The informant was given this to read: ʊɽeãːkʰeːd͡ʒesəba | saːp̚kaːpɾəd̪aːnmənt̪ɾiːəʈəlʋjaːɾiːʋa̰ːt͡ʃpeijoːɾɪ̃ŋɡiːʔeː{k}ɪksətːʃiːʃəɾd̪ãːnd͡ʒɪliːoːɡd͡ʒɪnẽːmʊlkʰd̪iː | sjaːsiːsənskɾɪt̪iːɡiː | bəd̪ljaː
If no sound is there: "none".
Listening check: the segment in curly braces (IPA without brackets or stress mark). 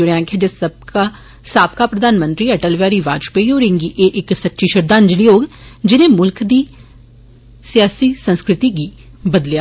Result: ʔ